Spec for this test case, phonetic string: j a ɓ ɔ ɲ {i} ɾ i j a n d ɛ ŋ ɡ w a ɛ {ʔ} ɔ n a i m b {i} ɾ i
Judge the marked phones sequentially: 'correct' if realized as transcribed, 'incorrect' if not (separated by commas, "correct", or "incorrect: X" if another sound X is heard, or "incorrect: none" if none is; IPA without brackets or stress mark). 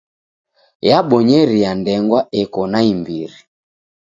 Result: incorrect: ɛ, incorrect: k, correct